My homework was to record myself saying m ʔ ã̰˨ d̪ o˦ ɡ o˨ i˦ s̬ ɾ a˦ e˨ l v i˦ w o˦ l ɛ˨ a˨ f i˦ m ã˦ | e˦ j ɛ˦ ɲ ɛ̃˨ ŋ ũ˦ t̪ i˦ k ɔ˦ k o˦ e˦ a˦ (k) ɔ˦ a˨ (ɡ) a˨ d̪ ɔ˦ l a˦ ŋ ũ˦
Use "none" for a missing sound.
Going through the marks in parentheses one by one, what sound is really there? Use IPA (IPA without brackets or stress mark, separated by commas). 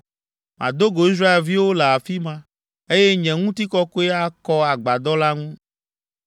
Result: k, ɡ͡b